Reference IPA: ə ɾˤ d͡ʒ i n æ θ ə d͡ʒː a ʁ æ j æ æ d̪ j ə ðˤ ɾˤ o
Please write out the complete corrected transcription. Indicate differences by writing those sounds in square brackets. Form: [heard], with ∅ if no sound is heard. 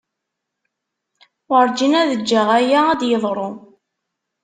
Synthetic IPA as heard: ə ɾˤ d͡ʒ i n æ [ð] ə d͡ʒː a ʁ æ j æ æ d̪ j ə ðˤ ɾˤ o